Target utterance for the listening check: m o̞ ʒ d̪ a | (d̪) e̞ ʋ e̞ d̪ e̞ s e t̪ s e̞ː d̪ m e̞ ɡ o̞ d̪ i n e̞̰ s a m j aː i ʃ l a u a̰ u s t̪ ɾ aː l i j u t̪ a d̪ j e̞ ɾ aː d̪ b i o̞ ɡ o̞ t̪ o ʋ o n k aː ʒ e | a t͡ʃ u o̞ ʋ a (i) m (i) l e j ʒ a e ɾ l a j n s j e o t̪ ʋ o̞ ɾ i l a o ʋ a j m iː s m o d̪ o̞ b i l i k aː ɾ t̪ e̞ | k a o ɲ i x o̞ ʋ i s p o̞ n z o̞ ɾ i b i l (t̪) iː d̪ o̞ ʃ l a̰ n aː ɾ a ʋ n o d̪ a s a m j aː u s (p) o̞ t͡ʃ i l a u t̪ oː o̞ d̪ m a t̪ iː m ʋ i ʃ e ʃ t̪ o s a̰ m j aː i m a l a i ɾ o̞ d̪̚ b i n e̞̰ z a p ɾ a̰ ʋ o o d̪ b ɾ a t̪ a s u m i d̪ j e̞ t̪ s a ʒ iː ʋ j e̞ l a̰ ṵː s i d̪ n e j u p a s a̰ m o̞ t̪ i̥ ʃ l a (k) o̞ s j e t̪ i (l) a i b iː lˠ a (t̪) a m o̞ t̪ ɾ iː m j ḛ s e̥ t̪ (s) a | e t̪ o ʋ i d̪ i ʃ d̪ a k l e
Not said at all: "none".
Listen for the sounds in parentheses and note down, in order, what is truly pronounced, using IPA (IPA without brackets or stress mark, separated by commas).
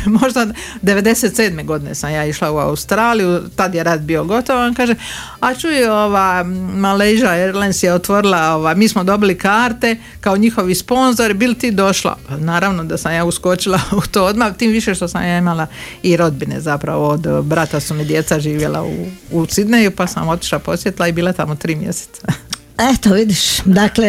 d̪, j, a, t̪, k, p, l, t̪, s